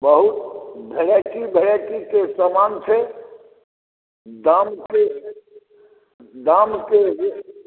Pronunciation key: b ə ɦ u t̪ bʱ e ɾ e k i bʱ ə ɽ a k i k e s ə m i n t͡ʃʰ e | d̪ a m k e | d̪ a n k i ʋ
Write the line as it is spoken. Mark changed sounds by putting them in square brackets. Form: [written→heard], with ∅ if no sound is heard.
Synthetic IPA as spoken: b ə ɦ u t̪ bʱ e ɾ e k i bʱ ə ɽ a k i k e s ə m [i→a] n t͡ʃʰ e | d̪ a m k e | d̪ a [n→m] k [i→e] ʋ